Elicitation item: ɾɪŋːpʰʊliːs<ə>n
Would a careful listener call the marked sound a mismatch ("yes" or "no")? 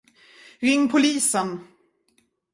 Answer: no